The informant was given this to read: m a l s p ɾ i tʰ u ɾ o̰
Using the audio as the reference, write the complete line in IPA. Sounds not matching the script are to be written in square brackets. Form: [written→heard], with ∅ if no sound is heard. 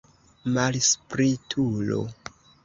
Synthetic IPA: m a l s p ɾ i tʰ u [ɾ→l] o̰